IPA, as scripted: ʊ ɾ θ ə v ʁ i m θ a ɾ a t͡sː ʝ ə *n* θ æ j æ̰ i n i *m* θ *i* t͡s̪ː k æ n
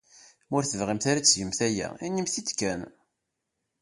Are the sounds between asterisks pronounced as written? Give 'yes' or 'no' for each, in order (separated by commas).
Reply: no, yes, yes